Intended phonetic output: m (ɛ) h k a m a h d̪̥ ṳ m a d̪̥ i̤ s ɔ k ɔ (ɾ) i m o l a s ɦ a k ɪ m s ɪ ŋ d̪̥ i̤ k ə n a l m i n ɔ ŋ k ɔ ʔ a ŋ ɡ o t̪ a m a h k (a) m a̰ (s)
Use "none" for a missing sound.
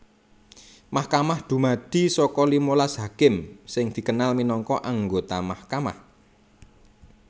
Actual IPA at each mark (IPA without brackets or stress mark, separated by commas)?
a, l, a, h